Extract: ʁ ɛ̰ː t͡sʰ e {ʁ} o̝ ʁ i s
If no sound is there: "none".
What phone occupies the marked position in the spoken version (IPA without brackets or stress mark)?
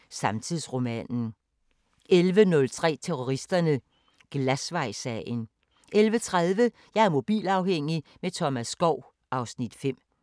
ʁ